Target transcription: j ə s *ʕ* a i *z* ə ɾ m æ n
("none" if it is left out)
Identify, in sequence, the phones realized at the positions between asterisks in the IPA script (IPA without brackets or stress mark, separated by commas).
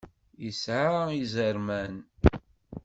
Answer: ʕ, z